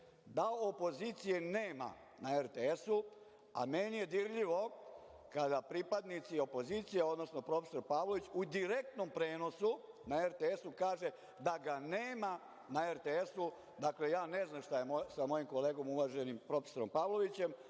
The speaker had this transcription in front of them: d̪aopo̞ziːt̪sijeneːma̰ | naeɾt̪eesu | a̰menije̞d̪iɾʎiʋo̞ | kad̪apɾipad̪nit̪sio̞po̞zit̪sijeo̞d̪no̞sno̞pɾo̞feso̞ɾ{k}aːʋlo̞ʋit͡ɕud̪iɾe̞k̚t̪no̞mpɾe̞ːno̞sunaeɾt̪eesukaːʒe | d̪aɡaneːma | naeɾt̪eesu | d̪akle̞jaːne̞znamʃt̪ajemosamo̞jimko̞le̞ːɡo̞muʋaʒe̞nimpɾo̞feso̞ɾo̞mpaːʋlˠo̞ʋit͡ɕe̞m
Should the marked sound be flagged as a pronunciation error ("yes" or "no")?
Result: yes